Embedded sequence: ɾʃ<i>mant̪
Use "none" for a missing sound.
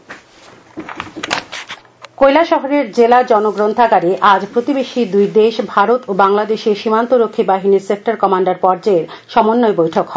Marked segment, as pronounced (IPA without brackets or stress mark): i